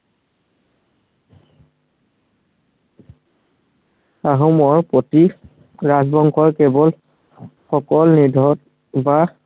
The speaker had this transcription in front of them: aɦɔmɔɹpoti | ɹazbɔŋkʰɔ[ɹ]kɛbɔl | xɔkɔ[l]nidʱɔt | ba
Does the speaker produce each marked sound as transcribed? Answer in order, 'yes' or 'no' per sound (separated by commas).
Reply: yes, yes